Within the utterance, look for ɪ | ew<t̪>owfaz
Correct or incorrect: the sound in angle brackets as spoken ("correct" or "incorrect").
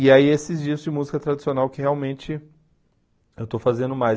correct